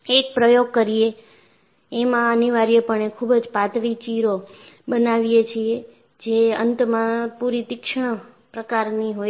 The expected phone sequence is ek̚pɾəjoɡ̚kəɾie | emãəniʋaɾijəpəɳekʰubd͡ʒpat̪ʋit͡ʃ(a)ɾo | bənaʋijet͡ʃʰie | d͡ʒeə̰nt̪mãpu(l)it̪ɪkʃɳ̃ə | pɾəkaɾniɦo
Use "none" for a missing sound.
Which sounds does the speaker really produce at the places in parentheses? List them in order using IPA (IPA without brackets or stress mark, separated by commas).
i, ɾ